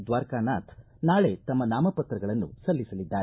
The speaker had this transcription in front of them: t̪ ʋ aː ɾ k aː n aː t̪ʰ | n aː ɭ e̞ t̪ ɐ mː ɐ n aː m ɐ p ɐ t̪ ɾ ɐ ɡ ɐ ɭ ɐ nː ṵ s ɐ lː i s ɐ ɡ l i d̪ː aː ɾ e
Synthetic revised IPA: d̪ ʋ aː ɾ k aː n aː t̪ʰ | n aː ɭ e̞ t̪ ɐ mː ɐ n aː m ɐ p ɐ t̪ ɾ ɐ ɡ ɐ ɭ ɐ nː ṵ s ɐ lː i s ɐ l i d̪ː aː ɾ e

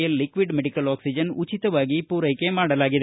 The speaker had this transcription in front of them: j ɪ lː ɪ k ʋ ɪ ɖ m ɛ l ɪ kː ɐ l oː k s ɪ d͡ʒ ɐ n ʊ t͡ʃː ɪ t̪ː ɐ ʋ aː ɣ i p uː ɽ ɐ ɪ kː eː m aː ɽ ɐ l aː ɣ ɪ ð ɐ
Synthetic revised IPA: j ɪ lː ɪ k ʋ ɪ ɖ m ɛ ɽ ɪ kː ɐ l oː k s ɪ d͡ʒ ɐ n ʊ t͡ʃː ɪ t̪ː ɐ ʋ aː ɣ i p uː ɾ ɐ ɪ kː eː m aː ɽ ɐ l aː ɣ ɪ ð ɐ

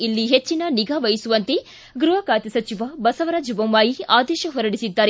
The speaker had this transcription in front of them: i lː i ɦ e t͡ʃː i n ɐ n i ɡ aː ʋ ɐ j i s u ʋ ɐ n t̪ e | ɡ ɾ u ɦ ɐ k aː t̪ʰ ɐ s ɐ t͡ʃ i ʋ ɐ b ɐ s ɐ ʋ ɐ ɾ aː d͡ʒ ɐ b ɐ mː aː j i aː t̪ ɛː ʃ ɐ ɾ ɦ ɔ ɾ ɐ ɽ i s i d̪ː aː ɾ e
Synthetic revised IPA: i lː i ɦ e t͡ʃː i n ɐ n i ɡ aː ʋ ɐ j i s u ʋ ɐ n t̪ e | ɡ ɾ u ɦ ɐ k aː t̪ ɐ s ɐ t͡ʃ i ʋ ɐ b ɐ s ɐ ʋ ɐ ɾ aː d͡ʒ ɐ b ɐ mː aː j i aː d̪ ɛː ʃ ɐ ɦ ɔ ɾ ɐ ɽ i s i d̪ː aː ɾ e

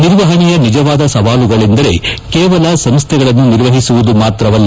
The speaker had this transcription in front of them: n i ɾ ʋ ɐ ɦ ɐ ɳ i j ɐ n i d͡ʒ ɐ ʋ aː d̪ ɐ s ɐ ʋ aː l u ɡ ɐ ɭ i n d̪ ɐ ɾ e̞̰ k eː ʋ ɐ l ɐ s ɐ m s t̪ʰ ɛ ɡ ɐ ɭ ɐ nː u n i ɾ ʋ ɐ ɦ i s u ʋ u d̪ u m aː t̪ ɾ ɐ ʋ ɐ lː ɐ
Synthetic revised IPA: n i ɾ ʋ ɐ ɦ ɐ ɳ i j ɐ n i d͡ʒ ɐ ʋ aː d̪ ɐ s ɐ ʋ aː l u ɡ ɐ ɭ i n d̪ ɐ ɾ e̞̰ k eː ʋ ɐ l ɐ s ɐ m s t̪ʰ ɛ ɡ ɐ ɭ ɐ nː u n i ɾ ʋ ɐ ɦ i s u ʋ u d̪ u m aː t̪ ɾ ɐ ʋ ɐ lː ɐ

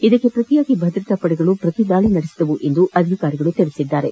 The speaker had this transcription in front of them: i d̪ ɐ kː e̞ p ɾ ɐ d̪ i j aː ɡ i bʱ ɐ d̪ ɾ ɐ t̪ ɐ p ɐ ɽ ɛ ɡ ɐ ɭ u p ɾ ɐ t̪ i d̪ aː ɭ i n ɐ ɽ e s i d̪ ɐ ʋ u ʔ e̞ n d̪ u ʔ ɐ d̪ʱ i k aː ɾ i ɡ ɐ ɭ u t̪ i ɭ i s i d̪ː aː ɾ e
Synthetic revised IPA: i d̪ ɐ kː e̞ p ɾ ɐ t̪ i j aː ɡ i bʱ ɐ d̪ ɾ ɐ t̪ ɐ p ɐ ɽ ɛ ɡ ɐ ɭ u p ɾ ɐ t̪ i d̪ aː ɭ i n ɐ ɽ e s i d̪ ɐ ʋ u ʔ e̞ n d̪ u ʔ ɐ d̪ʱ i k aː ɾ i ɡ ɐ ɭ u t̪ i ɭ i s i d̪ː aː ɾ e

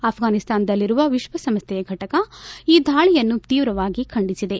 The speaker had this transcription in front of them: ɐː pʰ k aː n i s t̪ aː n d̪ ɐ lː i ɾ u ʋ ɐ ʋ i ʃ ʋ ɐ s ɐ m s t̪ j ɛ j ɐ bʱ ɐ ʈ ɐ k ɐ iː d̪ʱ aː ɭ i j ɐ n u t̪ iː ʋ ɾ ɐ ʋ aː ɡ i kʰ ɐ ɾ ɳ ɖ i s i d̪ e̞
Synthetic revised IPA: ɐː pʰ ɡ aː n i s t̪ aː n d̪ ɐ lː i ɾ u ʋ ɐ ʋ i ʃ ʋ ɐ s ɐ m s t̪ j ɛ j ɐ ɡʱ ɐ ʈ ɐ k ɐ iː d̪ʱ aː ɭ i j ɐ nː u t̪ iː ʋ ɾ ɐ ʋ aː ɡ i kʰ ɐ ɳ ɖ i s i d̪ e̞

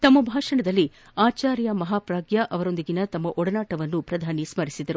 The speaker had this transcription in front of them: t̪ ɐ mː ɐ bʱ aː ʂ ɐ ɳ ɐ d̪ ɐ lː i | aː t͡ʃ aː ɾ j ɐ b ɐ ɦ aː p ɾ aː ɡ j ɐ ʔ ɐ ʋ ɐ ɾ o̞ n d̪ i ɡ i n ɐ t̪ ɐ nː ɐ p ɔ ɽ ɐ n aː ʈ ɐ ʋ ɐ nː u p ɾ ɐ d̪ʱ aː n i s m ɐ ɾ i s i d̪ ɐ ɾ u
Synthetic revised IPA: t̪ ɐ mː ɐ bʱ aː ʂ ɐ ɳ ɐ d̪ ɐ lː i | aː t͡ʃ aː ɾ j ɐ m ɐ ɦ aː p ɾ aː ɡ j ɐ ʔ ɐ ʋ ɐ ɾ o̞ n d̪ i ɡ i n ɐ t̪ ɐ mː ɐ ʔ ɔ ɽ ɐ n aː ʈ ɐ ʋ ɐ nː u p ɾ ɐ d̪ʱ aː n i s m ɐ ɾ i s i d̪ ɐ ɾ u

